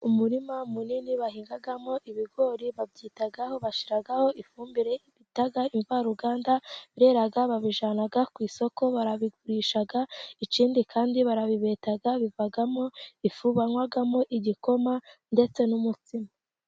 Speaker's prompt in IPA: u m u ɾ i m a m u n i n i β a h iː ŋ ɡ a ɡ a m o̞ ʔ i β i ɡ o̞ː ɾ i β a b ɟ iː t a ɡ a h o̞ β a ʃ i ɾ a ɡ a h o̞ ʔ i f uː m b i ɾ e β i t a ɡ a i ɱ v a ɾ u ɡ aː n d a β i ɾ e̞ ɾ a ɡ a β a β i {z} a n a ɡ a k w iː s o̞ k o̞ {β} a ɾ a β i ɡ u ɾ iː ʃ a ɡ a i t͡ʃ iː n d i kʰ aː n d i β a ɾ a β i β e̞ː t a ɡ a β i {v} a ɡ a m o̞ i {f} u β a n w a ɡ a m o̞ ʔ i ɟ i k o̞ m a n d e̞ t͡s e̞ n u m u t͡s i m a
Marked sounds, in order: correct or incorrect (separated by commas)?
incorrect, correct, correct, correct